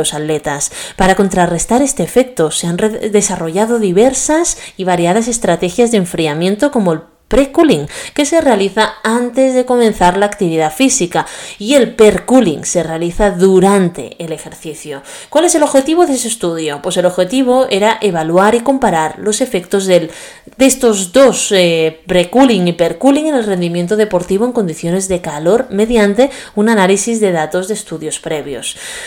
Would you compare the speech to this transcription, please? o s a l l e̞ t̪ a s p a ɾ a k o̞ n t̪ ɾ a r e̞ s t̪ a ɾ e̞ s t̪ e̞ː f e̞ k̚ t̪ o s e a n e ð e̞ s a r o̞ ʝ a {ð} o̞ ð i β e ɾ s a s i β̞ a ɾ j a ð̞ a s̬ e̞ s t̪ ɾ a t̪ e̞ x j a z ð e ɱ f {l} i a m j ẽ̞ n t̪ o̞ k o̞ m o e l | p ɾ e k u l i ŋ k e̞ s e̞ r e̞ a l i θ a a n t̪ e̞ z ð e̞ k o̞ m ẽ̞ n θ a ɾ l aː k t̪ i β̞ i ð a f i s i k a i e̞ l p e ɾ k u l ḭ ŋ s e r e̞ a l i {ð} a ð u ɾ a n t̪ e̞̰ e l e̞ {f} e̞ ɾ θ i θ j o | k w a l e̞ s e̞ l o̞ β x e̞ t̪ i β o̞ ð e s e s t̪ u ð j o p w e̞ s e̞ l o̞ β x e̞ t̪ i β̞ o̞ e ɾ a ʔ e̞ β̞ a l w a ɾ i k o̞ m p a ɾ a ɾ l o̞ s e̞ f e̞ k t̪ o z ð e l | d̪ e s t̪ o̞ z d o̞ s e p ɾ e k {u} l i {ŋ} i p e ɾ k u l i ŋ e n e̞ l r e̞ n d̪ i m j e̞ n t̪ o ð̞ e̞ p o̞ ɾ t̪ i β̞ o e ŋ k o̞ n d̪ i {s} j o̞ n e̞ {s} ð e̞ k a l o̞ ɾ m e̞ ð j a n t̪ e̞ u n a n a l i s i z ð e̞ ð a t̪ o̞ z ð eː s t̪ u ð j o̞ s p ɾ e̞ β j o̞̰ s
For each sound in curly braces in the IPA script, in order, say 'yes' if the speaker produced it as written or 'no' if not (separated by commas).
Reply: yes, no, no, no, yes, yes, no, no